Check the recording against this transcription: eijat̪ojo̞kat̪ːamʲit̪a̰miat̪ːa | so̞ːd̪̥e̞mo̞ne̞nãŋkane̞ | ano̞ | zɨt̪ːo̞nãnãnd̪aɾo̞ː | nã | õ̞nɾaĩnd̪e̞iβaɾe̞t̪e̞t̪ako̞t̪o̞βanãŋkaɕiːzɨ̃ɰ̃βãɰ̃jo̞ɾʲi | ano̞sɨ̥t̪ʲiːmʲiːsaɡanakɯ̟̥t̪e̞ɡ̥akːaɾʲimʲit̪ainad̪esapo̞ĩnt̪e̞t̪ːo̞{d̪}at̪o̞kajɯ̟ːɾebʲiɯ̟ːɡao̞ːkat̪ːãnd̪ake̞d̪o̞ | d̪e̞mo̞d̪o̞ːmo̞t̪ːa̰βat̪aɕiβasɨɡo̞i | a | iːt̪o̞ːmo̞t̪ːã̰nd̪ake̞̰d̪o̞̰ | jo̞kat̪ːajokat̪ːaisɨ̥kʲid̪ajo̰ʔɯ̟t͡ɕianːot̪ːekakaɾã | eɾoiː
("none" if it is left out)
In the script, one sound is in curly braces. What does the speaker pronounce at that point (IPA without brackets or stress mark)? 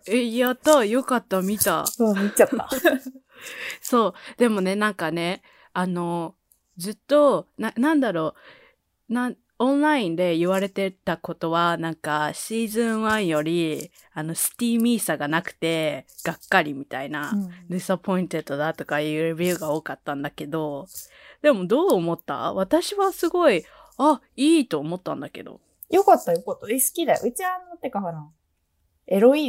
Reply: d̪